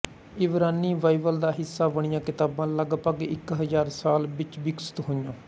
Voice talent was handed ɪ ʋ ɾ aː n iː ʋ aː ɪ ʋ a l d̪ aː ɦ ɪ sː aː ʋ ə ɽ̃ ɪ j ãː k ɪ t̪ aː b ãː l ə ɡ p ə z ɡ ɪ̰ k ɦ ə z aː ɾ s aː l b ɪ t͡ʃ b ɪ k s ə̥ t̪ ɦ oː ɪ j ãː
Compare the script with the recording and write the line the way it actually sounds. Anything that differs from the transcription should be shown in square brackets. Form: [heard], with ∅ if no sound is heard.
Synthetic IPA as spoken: ɪ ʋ ɾ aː n iː ʋ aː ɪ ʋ [ə] l d̪ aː ɦ ɪ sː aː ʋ ə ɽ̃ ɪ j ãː k ɪ t̪ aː b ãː l ə ɡ p ə [∅] ɡ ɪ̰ k ɦ ə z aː ɾ s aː l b ɪ t͡ʃ b ɪ k s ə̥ t̪ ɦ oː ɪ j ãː